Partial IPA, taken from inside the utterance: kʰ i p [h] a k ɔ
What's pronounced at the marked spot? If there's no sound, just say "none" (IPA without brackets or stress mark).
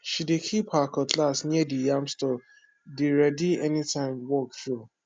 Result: h